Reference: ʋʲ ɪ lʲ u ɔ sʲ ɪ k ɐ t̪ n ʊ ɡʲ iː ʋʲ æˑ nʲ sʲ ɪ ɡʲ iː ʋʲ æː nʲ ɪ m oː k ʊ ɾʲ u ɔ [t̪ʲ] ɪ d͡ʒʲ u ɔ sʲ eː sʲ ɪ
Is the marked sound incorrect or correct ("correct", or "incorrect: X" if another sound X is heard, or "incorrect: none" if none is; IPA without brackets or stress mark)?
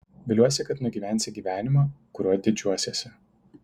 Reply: incorrect: d̪ʲ